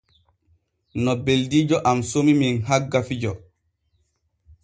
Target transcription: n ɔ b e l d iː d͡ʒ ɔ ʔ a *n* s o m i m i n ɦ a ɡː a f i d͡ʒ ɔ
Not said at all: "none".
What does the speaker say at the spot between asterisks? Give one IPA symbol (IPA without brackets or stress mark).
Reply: m